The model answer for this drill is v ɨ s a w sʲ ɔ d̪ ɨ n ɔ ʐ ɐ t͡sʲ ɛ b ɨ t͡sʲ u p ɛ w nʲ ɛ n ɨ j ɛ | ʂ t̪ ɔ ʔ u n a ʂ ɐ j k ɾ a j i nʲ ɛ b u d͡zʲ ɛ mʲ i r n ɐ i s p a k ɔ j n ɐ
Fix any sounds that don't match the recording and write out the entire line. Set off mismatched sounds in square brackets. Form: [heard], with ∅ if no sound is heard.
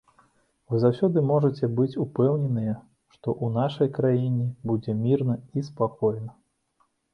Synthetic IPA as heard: v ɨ [z] a w sʲ ɔ d̪ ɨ [m] ɔ ʐ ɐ t͡sʲ ɛ b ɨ t͡sʲ u p ɛ w nʲ ɛ n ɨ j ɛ | ʂ t̪ ɔ ʔ u n a ʂ ɐ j k ɾ a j i nʲ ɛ b u d͡zʲ ɛ mʲ i r n ɐ i s p a k ɔ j n ɐ